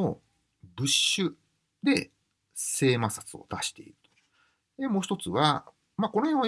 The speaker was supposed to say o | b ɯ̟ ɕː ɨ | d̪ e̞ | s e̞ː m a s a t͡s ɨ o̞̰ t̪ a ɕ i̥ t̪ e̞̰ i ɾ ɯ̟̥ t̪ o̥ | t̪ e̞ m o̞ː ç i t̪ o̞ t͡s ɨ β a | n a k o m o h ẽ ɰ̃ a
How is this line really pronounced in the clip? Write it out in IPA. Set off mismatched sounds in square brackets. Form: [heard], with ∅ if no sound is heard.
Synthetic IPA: o | b ɯ̟ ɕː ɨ | d̪ e̞ | s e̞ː m a s a t͡s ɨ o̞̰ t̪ a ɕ i̥ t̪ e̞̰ i ɾ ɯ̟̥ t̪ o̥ | [d̪] e̞ m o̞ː ç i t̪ o̞ t͡s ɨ β a | [m] a k o [n] o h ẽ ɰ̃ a